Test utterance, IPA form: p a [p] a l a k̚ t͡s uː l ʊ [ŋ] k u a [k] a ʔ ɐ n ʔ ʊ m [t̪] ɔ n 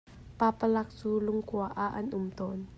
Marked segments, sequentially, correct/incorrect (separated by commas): correct, correct, incorrect, correct